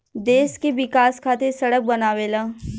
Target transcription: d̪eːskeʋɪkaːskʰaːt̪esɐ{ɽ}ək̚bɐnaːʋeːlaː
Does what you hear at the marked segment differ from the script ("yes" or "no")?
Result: no